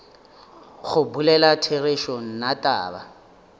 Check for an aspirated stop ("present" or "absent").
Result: present